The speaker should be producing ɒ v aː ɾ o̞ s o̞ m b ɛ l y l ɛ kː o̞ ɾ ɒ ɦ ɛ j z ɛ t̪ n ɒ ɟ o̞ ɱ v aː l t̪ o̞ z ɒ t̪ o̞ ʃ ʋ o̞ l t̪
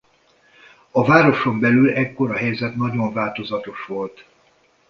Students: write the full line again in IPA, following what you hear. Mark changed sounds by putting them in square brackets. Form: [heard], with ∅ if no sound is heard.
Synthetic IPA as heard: ɒ v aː ɾ o̞ [ʃ] o̞ m b ɛ l y l ɛ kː o̞ ɾ ɒ ɦ ɛ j z ɛ t̪ n ɒ ɟ o̞ ɱ v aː l t̪ o̞ z ɒ t̪ o̞ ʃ ʋ o̞ l t̪